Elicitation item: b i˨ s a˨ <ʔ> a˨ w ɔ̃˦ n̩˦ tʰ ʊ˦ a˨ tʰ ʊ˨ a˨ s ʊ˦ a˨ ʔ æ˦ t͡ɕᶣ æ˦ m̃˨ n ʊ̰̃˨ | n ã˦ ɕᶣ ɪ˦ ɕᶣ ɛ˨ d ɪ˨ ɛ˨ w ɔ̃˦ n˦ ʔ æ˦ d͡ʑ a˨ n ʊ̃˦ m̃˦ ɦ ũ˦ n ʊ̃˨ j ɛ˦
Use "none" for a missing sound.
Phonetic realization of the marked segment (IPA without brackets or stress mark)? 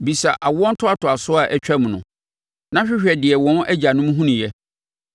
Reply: ʔ